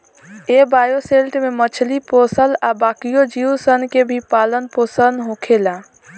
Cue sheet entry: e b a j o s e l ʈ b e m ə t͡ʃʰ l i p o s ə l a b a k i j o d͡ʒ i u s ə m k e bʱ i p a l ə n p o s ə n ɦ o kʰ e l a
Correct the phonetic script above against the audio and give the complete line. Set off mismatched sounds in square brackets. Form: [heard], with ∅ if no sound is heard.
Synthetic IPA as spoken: e b a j o s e l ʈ [m] e m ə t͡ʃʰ l i p o s ə l a b a k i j o d͡ʒ i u s ə [n] k e bʱ i p a l ə n p o s ə n ɦ o kʰ e l a